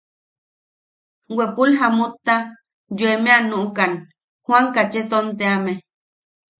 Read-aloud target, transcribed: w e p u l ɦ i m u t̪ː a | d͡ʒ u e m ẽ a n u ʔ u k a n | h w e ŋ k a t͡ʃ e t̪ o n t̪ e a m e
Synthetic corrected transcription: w e p u l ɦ a m u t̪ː a | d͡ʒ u e m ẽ a n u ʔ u k a n | h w a ŋ k a t͡ʃ e t̪ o n t̪ e a m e